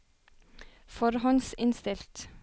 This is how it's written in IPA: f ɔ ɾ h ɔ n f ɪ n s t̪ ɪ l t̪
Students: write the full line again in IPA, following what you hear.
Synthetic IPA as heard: f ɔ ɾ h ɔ n s ɪ n s t̪ ɪ l t̪